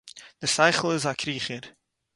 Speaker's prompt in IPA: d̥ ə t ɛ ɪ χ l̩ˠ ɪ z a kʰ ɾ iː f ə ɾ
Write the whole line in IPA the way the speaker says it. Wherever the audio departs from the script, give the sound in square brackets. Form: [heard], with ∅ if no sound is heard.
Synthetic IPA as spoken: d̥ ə [s] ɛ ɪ χ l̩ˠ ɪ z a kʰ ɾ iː [χ] ə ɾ